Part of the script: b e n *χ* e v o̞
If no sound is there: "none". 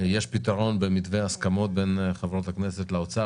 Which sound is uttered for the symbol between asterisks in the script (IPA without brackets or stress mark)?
χ